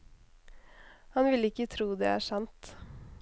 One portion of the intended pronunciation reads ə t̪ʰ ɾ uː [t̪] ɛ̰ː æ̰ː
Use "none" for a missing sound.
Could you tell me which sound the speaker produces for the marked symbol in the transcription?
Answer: d̪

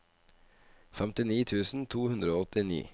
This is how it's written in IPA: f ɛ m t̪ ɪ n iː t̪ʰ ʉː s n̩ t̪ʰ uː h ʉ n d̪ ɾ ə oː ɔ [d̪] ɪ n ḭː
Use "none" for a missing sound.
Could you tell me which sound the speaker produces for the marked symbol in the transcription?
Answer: t̪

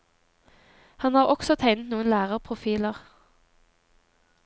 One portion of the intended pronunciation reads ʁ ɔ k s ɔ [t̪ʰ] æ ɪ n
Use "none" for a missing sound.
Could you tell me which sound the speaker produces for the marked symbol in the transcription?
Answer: t̪ʰ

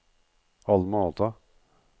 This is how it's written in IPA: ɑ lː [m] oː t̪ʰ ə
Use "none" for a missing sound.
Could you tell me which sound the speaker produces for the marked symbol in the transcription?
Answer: m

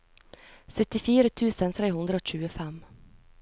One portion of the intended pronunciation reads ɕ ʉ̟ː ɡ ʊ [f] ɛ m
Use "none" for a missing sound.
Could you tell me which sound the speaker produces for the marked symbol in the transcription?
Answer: f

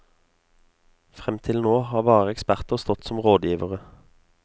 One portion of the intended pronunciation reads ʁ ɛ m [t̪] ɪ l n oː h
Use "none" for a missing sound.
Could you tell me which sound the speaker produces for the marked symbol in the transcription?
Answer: t̪ʰ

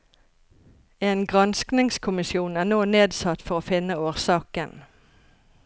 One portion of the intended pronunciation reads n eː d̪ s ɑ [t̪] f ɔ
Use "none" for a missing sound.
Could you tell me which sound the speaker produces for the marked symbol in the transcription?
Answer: t̪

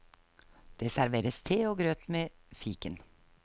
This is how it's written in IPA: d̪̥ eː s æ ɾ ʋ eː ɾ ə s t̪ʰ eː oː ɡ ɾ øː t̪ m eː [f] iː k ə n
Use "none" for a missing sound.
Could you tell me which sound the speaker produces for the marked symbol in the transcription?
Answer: f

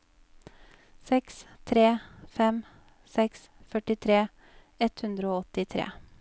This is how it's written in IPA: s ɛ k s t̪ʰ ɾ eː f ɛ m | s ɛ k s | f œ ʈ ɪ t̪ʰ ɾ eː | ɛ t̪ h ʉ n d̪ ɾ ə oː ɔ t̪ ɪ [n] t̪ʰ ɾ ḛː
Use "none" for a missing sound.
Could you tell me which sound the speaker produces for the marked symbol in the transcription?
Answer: none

